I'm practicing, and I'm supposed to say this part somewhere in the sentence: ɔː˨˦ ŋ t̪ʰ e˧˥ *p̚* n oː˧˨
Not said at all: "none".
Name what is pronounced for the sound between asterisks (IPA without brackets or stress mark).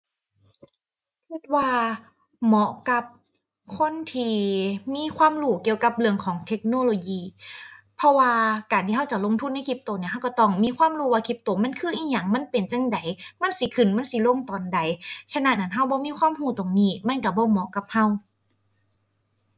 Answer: k̚